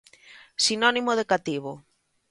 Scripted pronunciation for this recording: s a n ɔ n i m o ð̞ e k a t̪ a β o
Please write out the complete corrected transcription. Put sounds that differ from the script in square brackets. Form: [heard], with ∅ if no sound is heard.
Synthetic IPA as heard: s [i] n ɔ n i m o ð̞ e k a t̪ [i] β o